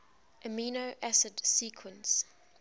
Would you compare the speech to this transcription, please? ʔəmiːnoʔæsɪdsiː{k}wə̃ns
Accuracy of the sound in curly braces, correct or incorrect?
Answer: incorrect